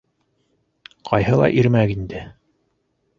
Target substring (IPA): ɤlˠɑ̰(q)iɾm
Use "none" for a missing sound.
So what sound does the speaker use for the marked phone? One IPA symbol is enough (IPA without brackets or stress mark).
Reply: ʔ